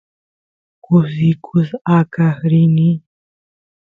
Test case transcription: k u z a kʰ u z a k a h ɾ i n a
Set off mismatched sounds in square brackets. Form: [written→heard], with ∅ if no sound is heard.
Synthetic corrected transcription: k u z [a→i] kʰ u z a k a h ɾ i n [a→i]